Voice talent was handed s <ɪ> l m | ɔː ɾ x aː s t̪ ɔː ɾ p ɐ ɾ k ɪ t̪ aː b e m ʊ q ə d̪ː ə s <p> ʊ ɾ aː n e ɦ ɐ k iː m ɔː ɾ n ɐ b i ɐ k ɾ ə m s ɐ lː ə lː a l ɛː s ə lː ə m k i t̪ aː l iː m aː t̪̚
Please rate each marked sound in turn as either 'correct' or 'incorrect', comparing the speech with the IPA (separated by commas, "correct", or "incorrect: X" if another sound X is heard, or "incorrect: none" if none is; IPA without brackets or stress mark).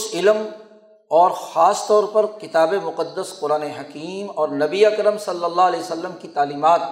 correct, incorrect: q